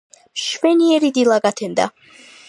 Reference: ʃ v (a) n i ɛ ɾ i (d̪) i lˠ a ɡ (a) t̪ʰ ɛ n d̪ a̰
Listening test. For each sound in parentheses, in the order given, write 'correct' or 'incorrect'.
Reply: incorrect, correct, correct

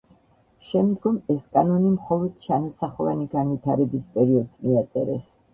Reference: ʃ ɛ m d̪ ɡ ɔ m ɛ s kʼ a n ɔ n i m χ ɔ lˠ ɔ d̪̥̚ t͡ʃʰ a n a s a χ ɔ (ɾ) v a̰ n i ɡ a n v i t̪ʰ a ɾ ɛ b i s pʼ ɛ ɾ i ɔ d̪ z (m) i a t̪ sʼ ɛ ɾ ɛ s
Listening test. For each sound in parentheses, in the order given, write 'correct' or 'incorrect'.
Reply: incorrect, correct

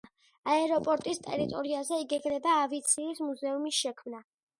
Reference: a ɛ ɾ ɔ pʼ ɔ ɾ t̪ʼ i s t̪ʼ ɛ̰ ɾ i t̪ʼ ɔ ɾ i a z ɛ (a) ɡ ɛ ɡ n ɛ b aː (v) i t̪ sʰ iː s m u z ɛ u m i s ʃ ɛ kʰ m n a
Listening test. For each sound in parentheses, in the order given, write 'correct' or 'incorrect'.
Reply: incorrect, correct

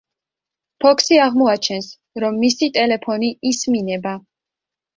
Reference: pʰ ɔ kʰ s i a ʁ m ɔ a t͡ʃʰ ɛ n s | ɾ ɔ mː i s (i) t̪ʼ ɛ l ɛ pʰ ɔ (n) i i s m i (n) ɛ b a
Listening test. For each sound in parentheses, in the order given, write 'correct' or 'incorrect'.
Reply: correct, correct, correct

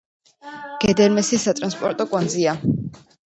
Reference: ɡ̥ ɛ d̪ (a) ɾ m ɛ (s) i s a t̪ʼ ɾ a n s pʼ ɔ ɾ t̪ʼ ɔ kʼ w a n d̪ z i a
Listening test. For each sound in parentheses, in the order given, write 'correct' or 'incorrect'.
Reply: incorrect, correct

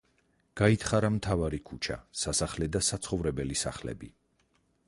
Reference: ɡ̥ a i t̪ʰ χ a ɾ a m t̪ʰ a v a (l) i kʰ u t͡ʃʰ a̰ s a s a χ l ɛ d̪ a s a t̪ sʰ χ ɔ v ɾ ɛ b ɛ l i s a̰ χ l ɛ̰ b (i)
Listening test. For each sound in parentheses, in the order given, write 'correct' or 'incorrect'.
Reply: incorrect, correct

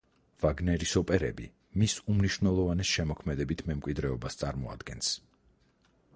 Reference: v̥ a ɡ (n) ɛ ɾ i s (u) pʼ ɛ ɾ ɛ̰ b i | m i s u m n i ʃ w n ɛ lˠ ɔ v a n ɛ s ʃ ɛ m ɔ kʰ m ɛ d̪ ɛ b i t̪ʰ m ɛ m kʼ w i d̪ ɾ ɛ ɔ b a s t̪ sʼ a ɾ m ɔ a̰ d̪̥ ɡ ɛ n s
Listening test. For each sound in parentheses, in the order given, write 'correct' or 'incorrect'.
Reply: correct, incorrect

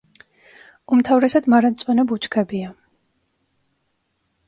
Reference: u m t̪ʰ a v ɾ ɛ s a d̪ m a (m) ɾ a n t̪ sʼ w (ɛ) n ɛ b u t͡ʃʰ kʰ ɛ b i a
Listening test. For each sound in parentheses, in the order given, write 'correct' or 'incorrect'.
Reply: incorrect, correct

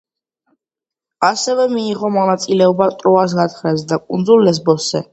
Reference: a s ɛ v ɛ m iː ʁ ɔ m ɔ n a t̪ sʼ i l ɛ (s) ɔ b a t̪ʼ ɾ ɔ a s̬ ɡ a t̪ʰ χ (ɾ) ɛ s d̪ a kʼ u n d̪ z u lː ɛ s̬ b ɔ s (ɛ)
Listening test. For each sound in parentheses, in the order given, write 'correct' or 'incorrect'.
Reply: incorrect, correct, correct

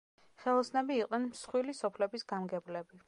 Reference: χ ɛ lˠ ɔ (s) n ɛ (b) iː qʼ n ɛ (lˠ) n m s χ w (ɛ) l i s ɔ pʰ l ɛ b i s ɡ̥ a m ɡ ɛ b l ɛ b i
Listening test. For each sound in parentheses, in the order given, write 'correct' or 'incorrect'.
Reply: correct, correct, incorrect, incorrect

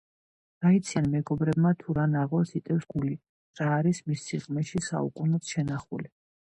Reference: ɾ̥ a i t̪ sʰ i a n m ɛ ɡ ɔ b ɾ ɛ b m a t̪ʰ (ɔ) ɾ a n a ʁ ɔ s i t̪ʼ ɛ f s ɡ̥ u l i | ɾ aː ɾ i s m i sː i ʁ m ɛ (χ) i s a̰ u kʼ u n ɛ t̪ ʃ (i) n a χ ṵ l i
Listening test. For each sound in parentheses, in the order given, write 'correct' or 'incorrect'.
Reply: incorrect, incorrect, incorrect

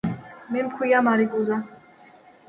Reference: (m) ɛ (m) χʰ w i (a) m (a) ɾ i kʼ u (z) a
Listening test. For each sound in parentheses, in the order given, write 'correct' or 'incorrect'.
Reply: correct, correct, correct, correct, correct

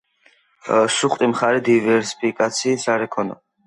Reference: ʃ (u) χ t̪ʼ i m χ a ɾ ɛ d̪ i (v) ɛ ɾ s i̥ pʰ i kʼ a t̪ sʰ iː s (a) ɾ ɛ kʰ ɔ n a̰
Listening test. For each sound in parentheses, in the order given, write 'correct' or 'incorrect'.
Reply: correct, correct, correct

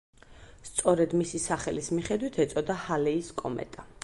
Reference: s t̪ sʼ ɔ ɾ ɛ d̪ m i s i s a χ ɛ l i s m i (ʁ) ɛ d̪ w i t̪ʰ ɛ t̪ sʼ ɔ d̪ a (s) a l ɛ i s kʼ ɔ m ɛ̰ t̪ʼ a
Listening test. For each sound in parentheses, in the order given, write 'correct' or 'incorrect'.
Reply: incorrect, incorrect

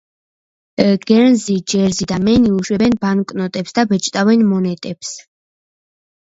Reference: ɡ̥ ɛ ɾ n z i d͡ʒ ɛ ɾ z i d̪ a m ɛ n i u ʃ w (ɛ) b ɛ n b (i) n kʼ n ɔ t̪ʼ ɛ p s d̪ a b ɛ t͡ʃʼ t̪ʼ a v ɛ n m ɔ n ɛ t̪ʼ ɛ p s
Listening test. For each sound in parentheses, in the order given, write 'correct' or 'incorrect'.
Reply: correct, incorrect

